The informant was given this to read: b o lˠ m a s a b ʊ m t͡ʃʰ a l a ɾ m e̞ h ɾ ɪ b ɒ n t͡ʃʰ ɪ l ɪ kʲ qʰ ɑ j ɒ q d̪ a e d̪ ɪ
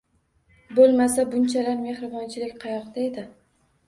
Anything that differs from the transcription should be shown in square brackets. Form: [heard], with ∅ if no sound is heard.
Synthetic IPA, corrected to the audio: b o lˠ m a s a b ʊ [n] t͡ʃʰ a l a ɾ m e̞ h ɾ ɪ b ɒ n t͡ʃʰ ɪ l ɪ kʲ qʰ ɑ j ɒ q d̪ a e d̪ ɪ